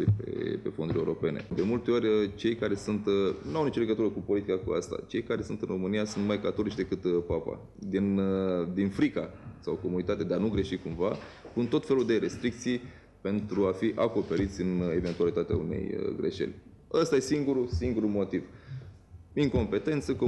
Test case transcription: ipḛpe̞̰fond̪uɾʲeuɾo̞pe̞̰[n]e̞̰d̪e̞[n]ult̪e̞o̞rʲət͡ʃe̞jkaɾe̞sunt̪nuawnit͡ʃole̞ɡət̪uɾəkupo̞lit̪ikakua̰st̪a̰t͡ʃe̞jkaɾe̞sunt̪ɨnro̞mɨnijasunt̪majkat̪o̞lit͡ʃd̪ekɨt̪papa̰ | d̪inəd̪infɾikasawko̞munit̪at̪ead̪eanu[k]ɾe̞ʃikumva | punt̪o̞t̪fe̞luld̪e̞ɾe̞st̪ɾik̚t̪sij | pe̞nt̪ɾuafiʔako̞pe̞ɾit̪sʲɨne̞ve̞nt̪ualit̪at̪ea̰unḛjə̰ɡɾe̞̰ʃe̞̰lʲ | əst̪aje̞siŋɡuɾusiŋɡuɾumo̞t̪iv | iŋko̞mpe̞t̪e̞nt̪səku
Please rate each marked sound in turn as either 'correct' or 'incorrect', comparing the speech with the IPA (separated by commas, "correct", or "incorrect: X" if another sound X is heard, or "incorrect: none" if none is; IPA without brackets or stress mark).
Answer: correct, incorrect: m, incorrect: ɡ